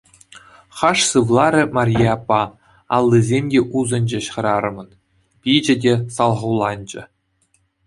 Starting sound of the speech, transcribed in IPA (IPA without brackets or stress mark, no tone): χ